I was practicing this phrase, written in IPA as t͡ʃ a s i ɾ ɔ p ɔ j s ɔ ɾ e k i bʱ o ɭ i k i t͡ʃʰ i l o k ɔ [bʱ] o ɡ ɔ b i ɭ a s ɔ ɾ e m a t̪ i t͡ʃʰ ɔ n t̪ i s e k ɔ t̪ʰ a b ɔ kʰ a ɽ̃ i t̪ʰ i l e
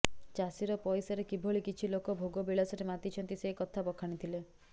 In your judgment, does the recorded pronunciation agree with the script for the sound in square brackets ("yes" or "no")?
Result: yes